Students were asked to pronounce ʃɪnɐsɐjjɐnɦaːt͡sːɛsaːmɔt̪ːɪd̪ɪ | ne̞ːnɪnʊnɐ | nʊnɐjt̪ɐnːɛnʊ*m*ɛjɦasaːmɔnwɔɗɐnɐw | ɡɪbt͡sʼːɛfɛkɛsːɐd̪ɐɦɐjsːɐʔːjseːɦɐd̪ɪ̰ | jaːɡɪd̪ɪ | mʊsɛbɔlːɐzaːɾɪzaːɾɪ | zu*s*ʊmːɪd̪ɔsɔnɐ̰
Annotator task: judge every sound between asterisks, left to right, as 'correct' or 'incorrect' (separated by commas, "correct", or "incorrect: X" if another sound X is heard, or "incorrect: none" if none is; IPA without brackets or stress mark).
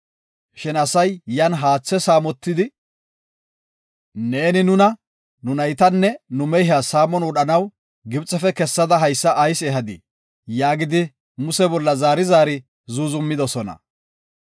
correct, incorrect: z